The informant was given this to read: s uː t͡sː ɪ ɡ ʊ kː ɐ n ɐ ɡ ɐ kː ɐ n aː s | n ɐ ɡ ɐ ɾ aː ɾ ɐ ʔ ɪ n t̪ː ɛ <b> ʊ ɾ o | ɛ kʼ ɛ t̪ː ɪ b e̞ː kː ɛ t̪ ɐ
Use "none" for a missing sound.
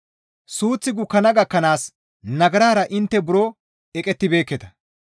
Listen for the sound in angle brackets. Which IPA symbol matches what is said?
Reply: b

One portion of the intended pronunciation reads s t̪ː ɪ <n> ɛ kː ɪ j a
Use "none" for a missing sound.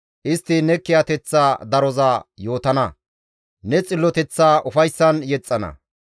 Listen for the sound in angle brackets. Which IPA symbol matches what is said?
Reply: n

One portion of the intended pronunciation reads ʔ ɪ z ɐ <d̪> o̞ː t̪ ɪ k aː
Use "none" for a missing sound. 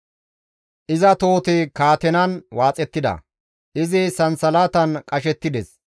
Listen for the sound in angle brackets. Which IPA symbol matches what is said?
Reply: t̪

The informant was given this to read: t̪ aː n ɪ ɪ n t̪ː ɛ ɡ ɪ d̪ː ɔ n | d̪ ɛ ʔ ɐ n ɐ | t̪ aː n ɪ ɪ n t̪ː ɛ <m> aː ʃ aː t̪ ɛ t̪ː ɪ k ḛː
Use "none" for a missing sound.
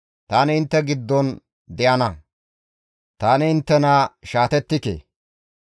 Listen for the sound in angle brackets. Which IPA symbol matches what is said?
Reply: n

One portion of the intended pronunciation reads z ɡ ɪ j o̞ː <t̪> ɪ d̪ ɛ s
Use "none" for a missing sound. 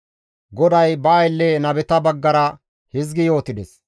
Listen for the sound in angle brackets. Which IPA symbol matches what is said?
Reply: t̪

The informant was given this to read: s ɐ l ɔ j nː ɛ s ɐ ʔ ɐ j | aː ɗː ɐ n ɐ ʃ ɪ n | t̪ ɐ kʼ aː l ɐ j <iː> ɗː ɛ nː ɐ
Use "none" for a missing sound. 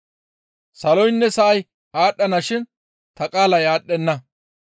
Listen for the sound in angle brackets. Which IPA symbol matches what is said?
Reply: aː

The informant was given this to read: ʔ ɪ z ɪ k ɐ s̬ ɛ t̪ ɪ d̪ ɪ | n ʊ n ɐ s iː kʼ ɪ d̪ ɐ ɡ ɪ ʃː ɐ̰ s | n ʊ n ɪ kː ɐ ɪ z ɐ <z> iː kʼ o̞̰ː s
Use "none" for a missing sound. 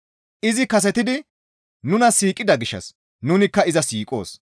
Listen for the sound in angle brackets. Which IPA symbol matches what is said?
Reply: s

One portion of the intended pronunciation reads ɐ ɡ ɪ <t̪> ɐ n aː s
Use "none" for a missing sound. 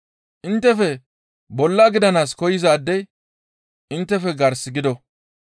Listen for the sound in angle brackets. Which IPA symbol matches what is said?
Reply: d̪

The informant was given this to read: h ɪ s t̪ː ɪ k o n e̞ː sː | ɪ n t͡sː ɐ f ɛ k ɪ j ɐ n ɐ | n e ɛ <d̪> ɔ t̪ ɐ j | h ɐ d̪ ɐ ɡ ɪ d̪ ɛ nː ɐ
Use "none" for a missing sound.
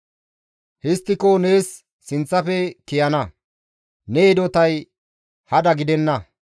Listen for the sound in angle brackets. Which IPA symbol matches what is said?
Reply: d̪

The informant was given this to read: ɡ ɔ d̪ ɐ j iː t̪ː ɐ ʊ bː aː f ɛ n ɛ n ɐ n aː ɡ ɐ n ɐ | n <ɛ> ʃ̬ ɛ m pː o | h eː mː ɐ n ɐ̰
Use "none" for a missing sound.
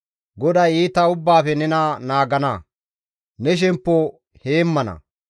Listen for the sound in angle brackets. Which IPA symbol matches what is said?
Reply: ɛ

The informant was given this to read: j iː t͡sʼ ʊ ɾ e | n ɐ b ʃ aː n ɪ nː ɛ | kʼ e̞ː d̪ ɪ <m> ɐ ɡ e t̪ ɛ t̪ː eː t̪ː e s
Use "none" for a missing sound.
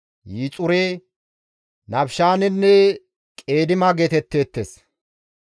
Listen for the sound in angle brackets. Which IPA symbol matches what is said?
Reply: m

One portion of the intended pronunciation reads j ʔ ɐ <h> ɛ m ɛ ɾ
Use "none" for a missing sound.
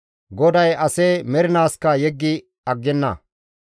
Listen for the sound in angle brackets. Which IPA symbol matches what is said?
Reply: s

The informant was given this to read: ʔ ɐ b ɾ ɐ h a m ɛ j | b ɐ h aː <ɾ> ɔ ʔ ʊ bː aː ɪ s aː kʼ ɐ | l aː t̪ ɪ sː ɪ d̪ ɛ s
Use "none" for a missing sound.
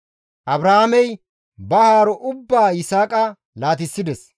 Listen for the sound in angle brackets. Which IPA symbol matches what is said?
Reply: ɾ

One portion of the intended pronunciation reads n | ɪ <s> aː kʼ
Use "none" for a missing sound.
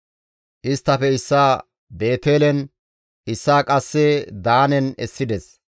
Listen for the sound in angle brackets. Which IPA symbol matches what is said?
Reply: sː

